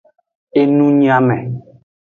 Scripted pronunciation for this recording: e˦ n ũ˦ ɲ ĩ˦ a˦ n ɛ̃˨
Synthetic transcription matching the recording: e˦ n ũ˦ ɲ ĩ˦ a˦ m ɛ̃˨